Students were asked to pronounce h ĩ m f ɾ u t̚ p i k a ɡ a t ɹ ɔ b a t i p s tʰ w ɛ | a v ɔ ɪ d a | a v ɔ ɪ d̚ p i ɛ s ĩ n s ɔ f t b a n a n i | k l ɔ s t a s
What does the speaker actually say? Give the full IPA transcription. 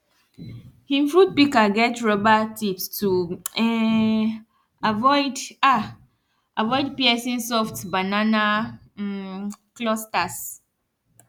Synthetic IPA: h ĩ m f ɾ u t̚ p i k a ɡ ɛ t ɹ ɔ b a t i p s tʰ u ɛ | a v ɔ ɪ d a | a v ɔ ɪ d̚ p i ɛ s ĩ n s ɔ f t b a n a n a | k l ɔ s t a s